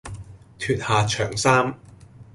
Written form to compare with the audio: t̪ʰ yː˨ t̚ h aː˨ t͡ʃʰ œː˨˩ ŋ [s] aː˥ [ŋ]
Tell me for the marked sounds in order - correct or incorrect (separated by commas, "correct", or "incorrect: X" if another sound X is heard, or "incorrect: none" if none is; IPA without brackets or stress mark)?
correct, incorrect: m